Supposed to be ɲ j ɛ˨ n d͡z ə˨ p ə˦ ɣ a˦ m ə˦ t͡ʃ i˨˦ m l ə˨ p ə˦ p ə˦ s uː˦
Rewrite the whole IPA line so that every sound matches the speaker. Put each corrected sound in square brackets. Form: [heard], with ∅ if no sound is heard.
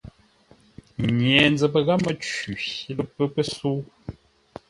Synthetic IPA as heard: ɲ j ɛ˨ n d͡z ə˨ p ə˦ ɣ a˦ m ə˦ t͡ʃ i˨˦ [∅] l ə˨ p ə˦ p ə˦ s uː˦